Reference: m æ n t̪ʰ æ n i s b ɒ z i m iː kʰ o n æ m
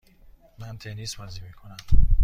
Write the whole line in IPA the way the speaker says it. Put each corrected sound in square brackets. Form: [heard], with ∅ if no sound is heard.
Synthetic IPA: m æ n t̪ʰ [e] n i s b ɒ z i m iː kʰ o n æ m